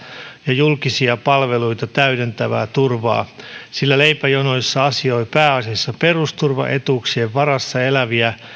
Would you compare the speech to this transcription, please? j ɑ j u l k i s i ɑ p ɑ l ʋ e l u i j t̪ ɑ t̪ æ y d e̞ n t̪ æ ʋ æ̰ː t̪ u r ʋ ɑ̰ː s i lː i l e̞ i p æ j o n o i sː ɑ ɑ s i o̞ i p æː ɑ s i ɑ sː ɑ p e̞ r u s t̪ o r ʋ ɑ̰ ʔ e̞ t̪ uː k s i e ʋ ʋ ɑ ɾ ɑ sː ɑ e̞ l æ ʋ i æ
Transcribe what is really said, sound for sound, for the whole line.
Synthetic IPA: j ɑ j u l k i s i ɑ p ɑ l ʋ e l u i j t̪ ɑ t̪ æ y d e̞ n t̪ æ ʋ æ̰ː t̪ u r ʋ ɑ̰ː s i lː æ l e̞ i p æ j o n o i sː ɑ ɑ s i o̞ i p æː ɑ s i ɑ sː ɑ p e̞ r u s t̪ u r ʋ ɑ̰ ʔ e̞ t̪ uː k s i e ʋ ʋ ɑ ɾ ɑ sː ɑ e̞ l æ ʋ i æ

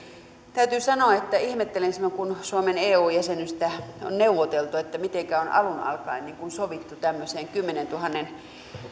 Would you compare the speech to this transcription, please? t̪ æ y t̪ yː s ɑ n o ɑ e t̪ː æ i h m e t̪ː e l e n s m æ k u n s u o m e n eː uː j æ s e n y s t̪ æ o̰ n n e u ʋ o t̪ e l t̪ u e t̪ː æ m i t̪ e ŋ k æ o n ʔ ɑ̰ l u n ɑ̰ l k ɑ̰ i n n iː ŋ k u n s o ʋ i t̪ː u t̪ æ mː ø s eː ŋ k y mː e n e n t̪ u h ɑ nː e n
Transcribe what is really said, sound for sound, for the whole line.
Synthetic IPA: t̪ æ y t̪ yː s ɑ n o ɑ e t̪ː æ i h m e t̪ː e l e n s m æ k u n s u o m e n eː uː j æ s e n y s t̪ æ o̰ n n e u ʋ o t̪ e l t̪ u e t̪ː æ m i t̪ e ŋ k æ o n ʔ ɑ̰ l u n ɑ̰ l k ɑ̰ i n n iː ŋ k u n s o ʋ i t̪ː u t̪ æ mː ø s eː ŋ k y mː e n e n t̪ u h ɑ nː e n

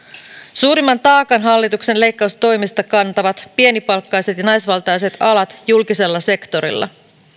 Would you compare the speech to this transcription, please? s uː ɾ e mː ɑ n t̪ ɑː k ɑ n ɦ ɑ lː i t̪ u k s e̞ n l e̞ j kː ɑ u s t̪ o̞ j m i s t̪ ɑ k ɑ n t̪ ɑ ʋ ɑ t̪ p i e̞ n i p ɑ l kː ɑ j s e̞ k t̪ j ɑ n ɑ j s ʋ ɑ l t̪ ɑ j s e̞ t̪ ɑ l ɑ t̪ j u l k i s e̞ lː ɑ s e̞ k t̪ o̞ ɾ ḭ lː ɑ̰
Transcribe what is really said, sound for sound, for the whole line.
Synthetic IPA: s uː ɾ i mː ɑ n t̪ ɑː k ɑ n ɦ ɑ lː i t̪ u k s e̞ n l e̞ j kː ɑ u s t̪ o̞ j m i s t̪ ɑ k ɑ n t̪ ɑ ʋ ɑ t̪ p i e̞ n i p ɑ l kː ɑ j s e̞ t̪ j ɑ n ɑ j s ʋ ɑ l t̪ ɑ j s e̞ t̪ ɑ l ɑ t̪ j u l k i s e̞ lː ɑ s e̞ k t̪ o̞ ɾ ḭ lː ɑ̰

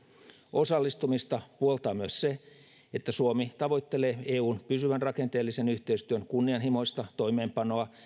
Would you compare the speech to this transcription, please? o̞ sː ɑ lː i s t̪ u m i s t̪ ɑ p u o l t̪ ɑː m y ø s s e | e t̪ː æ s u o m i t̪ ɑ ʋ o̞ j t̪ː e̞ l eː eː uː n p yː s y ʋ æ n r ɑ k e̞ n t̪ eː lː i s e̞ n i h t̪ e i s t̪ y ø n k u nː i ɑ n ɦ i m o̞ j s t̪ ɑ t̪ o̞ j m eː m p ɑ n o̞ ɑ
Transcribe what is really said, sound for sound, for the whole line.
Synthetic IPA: o̞ s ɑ lː i s t̪ u m i s t̪ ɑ p u o l t̪ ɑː m y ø s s e | e t̪ː æ s u o m i t̪ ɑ ʋ o̞ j t̪ː e̞ l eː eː uː n p y s y ʋ æ n r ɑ k e̞ n t̪ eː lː i s e̞ n y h t̪ e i s t̪ y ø n k u nː i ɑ n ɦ i m o̞ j s t̪ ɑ t̪ o̞ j m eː m p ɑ n o̞ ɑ

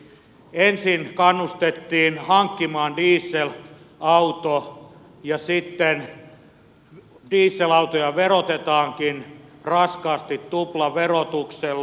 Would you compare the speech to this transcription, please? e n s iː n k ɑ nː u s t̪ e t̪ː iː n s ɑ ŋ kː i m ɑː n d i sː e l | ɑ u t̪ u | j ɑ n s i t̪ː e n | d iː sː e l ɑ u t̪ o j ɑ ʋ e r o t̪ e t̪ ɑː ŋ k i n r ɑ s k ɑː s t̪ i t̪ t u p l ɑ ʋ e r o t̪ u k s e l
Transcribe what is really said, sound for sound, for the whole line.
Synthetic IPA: e n s i n k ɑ nː u s t̪ e t̪ː iː n h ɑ ŋ kː i m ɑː n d iː sː e l | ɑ u t̪ o | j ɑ s i t̪ː e n | d iː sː e l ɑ u t̪ o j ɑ ʋ e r o t̪ e t̪ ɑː ŋ k i n r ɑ s k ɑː s t̪ i t̪ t u p l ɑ ʋ e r o t̪ u k s e l

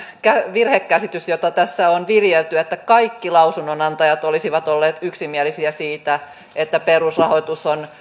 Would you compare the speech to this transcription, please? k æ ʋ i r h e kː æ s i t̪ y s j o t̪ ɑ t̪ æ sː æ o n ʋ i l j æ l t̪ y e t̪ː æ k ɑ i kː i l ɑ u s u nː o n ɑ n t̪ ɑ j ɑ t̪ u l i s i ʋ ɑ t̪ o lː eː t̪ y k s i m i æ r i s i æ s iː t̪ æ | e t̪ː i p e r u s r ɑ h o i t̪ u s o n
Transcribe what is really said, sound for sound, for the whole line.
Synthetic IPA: k æ ʋ i r h e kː æ s i t̪ y s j o t̪ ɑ t̪ æ sː æ o n ʋ i l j e l t̪ y e t̪ː æ k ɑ i kː i l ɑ u s u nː o n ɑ n t̪ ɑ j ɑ t̪ o l i s i ʋ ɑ t̪ o lː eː t̪ y k s i m i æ l i s i æ s iː t̪ æ | e t̪ː æ p e r u s r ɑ h o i t̪ u s o n

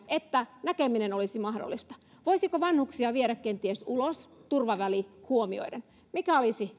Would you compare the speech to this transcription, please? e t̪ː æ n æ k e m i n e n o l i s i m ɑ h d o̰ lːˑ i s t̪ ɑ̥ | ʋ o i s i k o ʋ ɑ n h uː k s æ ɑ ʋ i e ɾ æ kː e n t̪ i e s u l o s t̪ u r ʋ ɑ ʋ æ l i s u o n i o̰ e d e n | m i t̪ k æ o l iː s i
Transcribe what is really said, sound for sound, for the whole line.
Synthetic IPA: e t̪ː æ n æ k e m i n e n o l i s i m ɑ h d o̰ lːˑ i s t̪ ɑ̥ | ʋ o i s i k o ʋ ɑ n h u k s i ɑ ʋ i e ɾ æ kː e n t̪ i e s u l o s t̪ u r ʋ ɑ ʋ æ l i h u o m i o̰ i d e n | m i k æ o l i s i

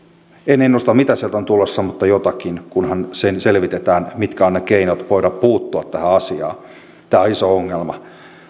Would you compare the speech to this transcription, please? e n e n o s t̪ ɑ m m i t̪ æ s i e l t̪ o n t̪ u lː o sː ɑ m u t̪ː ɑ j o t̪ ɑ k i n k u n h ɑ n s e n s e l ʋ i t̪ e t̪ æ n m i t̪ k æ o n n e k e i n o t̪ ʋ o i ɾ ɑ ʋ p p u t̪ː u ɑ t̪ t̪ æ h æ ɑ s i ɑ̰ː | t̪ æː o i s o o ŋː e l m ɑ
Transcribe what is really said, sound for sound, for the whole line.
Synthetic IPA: e n e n o s t̪ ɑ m m i t̪ æ s i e l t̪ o n t̪ u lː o sː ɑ m u t̪ː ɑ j o t̪ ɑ k i n k u n h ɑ n s e n s e l ʋ i t̪ e t̪ æː n m i t̪ k æ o n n e k e i n o t̪ ʋ o i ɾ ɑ p p uː t̪ː u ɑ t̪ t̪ æ h æ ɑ s i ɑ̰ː | t̪ æː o i s o o ŋː e l m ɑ

